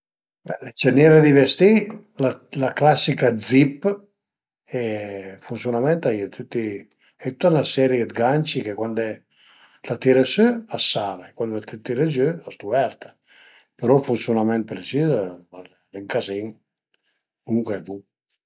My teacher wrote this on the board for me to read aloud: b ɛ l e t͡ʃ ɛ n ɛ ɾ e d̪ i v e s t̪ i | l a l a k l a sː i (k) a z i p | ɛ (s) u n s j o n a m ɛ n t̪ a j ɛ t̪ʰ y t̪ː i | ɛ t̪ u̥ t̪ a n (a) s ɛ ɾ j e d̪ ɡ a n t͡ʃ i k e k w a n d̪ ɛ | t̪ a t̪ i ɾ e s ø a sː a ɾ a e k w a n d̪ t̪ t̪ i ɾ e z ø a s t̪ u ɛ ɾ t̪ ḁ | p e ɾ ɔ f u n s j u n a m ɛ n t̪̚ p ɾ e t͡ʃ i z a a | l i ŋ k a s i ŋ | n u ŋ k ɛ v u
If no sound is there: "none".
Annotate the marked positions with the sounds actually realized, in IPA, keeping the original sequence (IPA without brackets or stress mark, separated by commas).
k, f, a